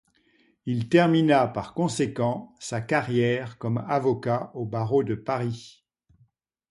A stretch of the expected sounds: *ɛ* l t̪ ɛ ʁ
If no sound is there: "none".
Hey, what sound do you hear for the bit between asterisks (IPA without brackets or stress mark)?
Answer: i